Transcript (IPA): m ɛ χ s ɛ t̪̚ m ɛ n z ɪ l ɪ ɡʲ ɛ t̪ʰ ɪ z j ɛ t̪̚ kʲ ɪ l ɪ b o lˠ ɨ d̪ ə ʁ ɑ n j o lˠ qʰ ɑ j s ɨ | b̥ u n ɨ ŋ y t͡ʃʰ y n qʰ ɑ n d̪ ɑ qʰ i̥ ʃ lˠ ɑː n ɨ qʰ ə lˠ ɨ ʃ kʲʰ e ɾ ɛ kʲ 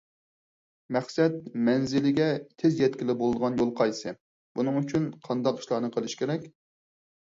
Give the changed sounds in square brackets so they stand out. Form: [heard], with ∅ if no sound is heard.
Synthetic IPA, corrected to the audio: m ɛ χ s ɛ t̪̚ m ɛ n z ɪ l ɪ ɡʲ ɛ t̪ʰ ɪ z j ɛ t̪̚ kʲ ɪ l ɪ b o lˠ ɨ d̪ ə ʁ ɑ n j o lˠ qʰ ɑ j s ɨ | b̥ u n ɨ ŋ y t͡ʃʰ y n qʰ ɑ n d̪ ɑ [q] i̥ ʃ lˠ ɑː n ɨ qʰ ə lˠ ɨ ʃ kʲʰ e ɾ ɛ kʲ